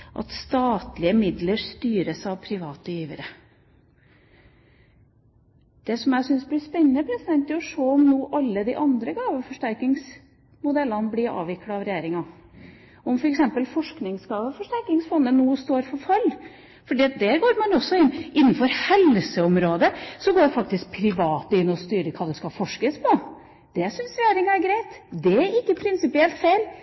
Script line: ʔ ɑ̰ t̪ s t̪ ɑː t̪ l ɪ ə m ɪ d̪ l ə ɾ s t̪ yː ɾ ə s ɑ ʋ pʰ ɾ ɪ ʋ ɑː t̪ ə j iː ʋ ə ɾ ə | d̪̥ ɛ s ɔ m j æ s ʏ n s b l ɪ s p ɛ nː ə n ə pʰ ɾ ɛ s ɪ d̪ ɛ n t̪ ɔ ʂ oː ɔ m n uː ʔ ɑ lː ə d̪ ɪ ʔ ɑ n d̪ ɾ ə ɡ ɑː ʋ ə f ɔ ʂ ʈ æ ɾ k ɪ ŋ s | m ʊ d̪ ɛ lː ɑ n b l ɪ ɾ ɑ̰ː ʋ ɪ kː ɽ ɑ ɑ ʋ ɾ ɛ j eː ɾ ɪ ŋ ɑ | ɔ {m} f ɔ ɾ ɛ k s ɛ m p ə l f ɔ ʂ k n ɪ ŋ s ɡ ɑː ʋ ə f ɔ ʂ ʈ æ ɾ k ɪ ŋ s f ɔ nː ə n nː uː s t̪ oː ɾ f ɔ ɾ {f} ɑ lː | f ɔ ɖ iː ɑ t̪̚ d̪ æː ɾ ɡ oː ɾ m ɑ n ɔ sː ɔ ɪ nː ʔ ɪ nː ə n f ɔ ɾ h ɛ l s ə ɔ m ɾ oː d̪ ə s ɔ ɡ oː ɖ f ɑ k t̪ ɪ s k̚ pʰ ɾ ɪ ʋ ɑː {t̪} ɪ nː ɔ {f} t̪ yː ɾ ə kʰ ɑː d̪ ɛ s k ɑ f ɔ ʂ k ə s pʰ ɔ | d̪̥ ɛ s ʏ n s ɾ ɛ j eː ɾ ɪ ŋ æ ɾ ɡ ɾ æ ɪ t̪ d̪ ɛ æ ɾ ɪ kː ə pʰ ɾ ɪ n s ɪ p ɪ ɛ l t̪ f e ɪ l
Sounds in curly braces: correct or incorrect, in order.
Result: correct, correct, correct, incorrect

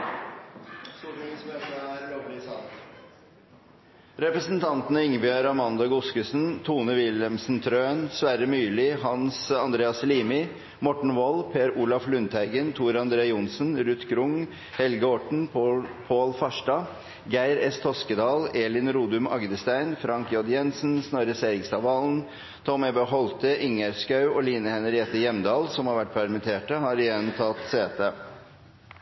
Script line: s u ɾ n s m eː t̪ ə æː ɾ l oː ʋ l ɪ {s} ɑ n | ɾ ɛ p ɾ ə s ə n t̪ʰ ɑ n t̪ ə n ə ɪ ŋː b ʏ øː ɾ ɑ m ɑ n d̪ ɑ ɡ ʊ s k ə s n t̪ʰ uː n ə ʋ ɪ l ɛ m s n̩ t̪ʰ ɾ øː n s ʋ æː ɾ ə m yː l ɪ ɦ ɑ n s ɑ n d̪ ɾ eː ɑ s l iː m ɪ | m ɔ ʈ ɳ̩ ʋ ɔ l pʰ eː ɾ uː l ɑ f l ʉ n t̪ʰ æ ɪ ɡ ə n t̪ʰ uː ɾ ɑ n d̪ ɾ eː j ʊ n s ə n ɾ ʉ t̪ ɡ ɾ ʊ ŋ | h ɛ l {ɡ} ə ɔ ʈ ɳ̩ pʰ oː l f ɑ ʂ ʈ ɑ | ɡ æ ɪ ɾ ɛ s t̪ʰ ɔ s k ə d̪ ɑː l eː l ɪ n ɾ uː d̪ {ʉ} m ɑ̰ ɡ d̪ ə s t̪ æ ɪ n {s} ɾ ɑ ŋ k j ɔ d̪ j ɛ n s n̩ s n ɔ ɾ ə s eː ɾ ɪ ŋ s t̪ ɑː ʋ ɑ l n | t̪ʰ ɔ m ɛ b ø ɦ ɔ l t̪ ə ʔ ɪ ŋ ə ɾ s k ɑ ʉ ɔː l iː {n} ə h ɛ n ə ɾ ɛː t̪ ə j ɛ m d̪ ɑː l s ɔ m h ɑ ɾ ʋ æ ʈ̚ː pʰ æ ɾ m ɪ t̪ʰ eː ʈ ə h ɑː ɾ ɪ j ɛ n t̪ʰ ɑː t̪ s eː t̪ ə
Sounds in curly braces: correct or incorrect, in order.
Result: correct, correct, correct, incorrect, correct

